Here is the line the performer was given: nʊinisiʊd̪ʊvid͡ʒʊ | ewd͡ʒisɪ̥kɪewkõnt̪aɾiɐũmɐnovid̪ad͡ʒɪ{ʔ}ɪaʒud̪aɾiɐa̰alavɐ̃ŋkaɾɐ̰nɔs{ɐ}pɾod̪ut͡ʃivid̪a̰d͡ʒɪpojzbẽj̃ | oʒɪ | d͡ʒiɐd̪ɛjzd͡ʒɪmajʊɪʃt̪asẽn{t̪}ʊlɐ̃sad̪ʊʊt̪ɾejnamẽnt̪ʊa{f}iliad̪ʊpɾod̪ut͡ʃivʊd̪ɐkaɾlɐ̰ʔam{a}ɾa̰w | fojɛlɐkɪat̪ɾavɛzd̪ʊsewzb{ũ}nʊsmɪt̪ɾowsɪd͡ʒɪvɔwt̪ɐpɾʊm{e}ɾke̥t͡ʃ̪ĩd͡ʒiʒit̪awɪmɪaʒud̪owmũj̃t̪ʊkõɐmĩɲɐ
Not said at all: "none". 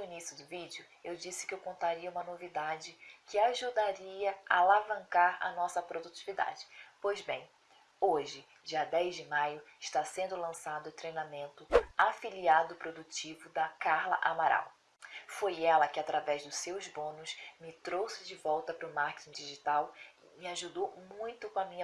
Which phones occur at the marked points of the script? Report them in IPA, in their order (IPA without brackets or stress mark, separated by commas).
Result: k, ɐ, d̪, f, a, õ, a